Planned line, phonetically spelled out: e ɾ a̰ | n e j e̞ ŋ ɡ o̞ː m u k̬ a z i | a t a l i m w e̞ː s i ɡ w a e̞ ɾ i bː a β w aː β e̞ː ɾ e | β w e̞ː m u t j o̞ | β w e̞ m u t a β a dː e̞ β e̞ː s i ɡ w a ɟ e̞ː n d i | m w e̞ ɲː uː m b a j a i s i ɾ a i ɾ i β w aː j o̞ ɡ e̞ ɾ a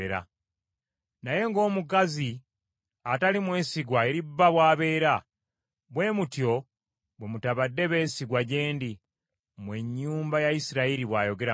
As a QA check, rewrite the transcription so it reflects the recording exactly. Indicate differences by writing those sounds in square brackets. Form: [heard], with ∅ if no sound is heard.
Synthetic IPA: e ɾ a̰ | n [a] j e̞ ŋ ɡ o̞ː m u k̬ a z i | a t a l i m w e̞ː s i ɡ w a e̞ ɾ i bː a β w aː β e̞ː ɾ [a] | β w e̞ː m u t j o̞ | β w e̞ m u t a β a dː e̞ β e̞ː s i ɡ w a ɟ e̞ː n d i | m w e̞ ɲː uː m b a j a i s i ɾ a i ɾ i β w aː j o̞ ɡ e̞ ɾ a